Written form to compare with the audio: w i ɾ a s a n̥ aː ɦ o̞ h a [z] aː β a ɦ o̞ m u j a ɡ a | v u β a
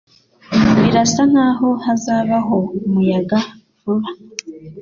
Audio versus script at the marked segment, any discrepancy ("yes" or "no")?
no